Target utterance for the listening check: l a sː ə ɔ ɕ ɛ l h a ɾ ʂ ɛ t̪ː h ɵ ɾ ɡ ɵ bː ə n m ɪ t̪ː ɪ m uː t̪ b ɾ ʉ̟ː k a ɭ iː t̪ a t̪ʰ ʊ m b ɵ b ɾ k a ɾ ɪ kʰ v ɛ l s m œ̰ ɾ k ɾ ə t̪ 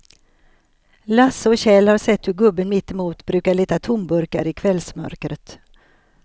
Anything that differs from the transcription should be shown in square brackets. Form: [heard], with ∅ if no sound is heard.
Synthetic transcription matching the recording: l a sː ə ɔ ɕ ɛ l h a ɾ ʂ ɛ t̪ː h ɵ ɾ ɡ ɵ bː ə n m ɪ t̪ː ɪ m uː t̪ b ɾ ʉ̟ː k a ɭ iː t̪ a t̪ʰ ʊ m b ɵ [∅] ɾ k a ɾ ɪ kʰ v ɛ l s m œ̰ ɾ k ɾ ə t̪